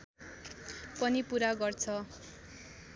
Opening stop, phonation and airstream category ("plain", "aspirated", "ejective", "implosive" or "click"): plain